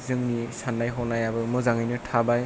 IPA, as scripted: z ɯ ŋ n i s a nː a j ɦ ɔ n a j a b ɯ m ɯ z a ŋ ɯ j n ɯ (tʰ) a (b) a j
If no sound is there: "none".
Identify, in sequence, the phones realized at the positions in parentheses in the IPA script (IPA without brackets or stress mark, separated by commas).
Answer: tʰ, b